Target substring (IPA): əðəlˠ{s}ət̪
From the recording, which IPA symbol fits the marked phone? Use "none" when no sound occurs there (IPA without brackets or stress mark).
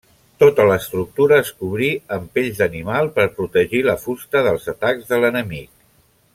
z